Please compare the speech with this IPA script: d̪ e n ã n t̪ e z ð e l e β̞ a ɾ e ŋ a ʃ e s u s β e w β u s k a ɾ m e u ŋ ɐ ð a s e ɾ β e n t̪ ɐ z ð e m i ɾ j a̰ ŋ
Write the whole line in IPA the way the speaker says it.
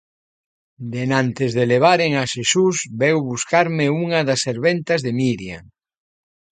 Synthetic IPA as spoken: d̪ e n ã n t̪ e z ð e l e β̞ a ɾ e ŋ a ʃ e s u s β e w β u s k a ɾ m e u ŋ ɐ ð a s e ɾ β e n t̪ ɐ z ð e m i ɾ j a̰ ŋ